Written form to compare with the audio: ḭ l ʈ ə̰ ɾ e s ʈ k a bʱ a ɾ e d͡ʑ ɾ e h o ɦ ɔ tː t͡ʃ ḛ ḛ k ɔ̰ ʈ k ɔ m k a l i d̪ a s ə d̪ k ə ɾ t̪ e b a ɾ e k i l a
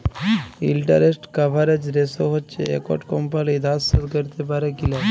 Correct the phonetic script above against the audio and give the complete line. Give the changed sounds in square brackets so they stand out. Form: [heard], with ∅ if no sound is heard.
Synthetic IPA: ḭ l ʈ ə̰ ɾ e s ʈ k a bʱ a ɾ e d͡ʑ ɾ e [s] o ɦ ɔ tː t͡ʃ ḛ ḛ k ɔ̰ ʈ k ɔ m [p] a l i d̪ a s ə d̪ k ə ɾ t̪ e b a ɾ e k i l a

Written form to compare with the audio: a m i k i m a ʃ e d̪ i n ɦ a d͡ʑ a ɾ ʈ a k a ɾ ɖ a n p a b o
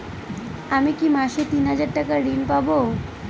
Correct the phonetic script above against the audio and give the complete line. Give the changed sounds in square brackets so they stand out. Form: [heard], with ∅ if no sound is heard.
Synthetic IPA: a m i k i m a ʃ e [t̪] i n ɦ a d͡ʑ a ɾ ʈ a k a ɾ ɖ [i] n p a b o

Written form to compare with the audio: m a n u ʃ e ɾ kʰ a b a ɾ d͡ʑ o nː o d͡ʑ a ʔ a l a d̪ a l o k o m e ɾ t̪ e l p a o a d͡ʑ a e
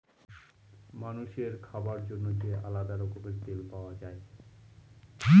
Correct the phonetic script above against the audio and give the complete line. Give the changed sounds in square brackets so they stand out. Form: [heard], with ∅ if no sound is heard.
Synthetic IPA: m a n u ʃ e ɾ kʰ a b a ɾ d͡ʑ o nː o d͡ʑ [e] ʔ a l a d̪ a [ɾ] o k o m e ɾ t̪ e l p a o a d͡ʑ a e

